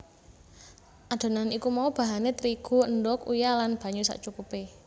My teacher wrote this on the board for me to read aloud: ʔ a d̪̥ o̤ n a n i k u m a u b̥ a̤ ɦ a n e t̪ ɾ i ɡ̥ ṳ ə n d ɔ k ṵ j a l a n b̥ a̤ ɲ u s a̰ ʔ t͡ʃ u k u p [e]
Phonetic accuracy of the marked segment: correct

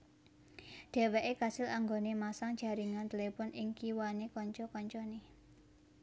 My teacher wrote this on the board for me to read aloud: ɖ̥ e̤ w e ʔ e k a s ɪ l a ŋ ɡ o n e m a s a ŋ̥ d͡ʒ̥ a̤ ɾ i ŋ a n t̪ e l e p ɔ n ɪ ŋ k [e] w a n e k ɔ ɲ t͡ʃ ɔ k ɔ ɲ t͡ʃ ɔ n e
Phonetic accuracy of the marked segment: incorrect: i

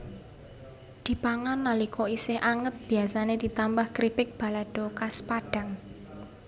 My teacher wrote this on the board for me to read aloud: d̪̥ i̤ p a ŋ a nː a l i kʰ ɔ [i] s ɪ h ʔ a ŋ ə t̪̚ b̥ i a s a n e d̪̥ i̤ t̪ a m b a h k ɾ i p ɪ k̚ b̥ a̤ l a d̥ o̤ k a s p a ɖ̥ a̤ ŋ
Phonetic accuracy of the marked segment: correct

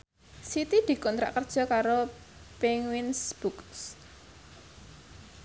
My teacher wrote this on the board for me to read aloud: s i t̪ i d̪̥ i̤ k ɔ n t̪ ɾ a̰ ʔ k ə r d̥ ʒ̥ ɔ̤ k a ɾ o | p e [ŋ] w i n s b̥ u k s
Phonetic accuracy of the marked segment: correct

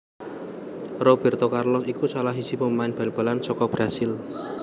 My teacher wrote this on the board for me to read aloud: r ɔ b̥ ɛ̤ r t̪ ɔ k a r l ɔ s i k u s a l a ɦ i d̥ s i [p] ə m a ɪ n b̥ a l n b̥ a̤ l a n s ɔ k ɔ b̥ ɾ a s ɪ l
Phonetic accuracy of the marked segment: correct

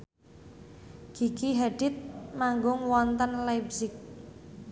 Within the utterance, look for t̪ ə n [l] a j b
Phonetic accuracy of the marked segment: correct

